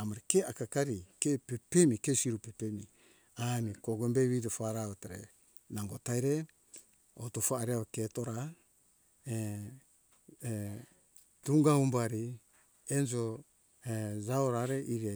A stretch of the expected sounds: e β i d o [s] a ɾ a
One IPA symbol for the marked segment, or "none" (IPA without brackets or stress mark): f